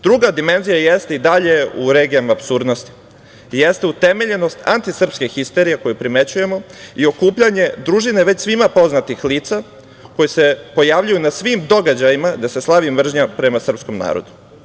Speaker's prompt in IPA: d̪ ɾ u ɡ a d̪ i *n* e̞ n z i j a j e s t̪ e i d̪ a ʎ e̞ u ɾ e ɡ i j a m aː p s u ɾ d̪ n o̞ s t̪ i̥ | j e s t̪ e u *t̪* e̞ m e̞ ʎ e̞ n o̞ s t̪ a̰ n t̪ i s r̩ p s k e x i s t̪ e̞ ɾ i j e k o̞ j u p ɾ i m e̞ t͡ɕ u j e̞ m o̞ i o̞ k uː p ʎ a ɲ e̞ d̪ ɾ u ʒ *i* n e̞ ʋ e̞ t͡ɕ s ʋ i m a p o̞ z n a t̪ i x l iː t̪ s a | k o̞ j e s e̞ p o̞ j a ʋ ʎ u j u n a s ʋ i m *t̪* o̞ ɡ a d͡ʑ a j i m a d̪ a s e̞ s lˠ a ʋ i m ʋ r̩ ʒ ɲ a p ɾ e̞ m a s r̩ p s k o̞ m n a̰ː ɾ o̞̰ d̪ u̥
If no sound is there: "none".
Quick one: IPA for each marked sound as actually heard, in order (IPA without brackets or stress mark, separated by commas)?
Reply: m, t̪, i, d̪